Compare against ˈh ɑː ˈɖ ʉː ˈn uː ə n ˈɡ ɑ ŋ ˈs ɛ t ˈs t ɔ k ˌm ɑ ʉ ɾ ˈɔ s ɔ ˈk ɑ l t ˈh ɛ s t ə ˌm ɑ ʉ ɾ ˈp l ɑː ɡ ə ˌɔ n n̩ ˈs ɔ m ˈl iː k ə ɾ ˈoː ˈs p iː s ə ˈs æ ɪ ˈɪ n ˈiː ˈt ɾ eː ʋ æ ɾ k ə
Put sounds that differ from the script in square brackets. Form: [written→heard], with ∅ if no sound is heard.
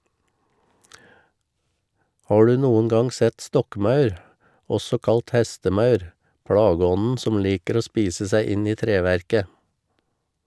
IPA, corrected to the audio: ˈh ɑː ˈɖ ʉː ˈn uː ə n ˈɡ ɑ ŋ ˈs ɛ t ˈs t ɔ k ˌm ɑ ʉ ɾ ˈɔ s ɔ ˈk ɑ l t ˈh ɛ s t ə ˌm ɑ ʉ ɾ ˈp [l→ɽ] ɑː ɡ ə ˌɔ n n̩ ˈs ɔ m ˈl iː k ə ɾ ˈoː ˈs p iː s ə ˈs æ ɪ ˈɪ n ˈiː ˈt ɾ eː ʋ æ ɾ k ə